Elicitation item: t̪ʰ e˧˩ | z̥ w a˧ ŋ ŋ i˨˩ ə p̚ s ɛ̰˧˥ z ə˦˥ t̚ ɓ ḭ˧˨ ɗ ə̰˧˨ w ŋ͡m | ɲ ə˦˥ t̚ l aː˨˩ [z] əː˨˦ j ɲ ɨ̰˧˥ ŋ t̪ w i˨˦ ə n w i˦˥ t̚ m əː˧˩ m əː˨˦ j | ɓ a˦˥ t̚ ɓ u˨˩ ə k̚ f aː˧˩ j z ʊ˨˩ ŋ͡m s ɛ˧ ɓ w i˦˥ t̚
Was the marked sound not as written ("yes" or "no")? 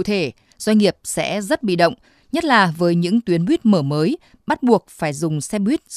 yes